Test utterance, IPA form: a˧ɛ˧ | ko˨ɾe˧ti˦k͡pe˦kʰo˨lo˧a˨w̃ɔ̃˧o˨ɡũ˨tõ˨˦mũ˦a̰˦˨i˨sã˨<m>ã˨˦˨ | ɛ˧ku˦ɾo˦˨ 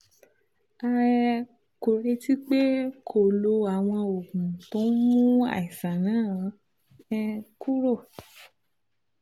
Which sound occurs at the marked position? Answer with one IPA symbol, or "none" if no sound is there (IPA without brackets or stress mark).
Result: n